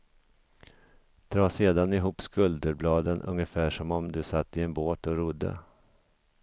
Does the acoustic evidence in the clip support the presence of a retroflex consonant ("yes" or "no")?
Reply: yes